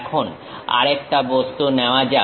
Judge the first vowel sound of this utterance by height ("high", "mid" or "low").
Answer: mid